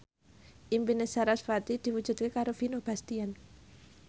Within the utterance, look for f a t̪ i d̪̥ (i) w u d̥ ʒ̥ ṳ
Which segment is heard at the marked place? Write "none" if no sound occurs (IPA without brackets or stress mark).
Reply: i